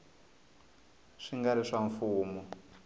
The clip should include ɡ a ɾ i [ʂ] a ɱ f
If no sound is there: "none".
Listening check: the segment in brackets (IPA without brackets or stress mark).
ʂ